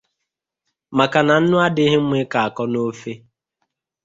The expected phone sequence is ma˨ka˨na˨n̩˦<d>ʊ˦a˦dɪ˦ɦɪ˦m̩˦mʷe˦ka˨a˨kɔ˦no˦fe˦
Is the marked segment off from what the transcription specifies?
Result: yes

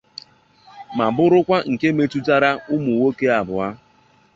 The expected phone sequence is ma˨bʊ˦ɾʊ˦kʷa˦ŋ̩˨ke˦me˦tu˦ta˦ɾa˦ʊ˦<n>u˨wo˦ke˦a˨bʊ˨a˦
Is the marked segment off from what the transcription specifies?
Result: yes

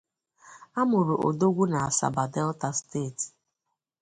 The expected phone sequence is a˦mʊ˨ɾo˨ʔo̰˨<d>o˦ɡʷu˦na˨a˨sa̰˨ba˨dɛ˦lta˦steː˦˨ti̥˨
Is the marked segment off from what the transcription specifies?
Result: no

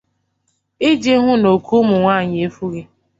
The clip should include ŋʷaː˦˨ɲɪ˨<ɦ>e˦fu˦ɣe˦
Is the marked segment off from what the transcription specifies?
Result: yes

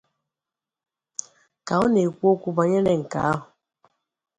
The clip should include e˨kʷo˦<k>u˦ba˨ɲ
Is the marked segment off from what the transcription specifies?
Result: no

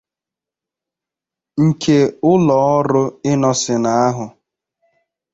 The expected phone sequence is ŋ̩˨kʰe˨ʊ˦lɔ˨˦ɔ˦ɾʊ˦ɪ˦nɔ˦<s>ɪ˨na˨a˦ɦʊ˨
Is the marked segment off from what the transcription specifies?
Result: no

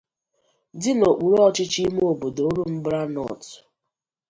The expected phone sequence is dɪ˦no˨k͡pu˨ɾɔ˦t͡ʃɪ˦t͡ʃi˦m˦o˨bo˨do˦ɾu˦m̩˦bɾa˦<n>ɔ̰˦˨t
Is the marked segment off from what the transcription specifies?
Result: no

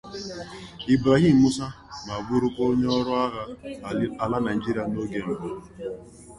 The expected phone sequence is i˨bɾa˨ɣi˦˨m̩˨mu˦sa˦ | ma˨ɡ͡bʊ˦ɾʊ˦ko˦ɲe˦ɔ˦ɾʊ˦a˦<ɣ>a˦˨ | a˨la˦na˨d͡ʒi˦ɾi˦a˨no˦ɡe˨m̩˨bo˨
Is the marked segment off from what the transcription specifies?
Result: no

